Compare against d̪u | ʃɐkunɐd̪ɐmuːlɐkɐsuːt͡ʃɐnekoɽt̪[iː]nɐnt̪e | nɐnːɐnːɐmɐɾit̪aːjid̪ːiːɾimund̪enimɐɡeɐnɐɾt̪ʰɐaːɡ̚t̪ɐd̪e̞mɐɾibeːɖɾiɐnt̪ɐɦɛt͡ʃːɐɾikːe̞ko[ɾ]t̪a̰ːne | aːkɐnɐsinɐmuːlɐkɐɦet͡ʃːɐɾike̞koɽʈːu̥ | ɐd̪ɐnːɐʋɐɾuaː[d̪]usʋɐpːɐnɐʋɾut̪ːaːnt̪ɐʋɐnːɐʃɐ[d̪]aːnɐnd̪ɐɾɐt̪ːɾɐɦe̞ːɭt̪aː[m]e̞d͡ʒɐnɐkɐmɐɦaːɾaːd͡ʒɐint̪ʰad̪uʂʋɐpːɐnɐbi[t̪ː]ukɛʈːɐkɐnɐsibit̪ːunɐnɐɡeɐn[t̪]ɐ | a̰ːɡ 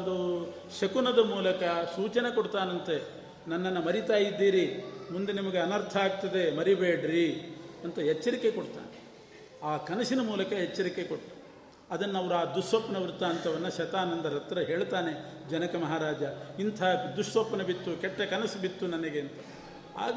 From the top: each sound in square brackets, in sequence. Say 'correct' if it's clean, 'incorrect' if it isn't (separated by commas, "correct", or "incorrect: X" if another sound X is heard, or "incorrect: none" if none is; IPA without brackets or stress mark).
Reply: incorrect: aː, incorrect: ɽ, correct, incorrect: t̪, incorrect: n, correct, correct